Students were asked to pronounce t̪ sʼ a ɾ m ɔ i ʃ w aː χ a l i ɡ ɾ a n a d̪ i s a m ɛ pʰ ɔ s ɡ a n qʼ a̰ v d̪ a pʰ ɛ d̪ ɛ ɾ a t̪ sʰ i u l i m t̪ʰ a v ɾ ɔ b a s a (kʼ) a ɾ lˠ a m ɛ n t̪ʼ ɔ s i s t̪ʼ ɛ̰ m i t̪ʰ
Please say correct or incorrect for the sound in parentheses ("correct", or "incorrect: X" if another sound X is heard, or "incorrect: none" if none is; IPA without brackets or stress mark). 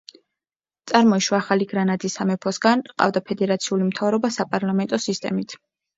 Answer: incorrect: pʼ